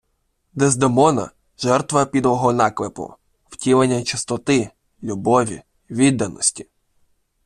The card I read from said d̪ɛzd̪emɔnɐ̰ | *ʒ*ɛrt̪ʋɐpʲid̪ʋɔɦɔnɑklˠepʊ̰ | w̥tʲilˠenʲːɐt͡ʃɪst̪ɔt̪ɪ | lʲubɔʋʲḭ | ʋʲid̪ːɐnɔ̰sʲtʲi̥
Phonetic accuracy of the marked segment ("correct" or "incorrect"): correct